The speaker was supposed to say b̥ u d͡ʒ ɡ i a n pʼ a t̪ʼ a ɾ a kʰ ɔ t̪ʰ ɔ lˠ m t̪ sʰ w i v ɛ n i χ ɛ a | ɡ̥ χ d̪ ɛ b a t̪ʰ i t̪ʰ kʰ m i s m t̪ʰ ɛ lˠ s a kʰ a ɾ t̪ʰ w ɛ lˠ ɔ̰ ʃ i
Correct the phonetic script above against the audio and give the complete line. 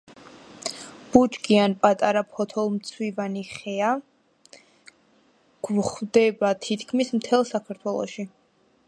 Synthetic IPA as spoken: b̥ u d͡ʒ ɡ i a n pʼ a t̪ʼ a ɾ a pʰ ɔ t̪ʰ ɔ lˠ m t̪ sʰ w i v a n i χ ɛ a | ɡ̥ χ d̪ ɛ b a t̪ʰ i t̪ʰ kʰ m i s m t̪ʰ ɛ lˠ s a kʰ a ɾ t̪ʰ w ɛ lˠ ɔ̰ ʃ i